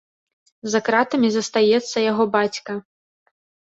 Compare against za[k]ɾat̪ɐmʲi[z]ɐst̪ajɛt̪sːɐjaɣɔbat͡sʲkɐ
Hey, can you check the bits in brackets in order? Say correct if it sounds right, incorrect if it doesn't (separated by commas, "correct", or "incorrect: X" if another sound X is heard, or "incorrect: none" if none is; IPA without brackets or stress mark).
correct, correct